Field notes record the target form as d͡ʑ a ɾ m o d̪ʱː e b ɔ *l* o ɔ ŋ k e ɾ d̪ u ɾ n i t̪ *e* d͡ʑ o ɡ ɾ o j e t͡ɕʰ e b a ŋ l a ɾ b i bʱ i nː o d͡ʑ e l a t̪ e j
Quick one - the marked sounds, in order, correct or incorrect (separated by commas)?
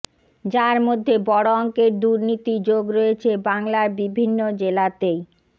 incorrect, incorrect